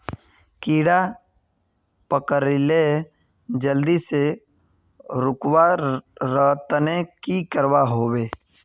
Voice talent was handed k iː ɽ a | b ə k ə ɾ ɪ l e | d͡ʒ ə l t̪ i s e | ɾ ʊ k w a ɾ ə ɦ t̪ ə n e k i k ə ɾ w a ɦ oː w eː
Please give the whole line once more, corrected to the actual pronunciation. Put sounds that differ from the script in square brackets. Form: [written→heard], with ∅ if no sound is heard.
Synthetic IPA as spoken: k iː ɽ a | [b→p] ə k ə ɾ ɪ l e | d͡ʒ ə l [t̪→d̪] i s e | ɾ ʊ k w a ɾ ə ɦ t̪ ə n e k i k ə ɾ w a ɦ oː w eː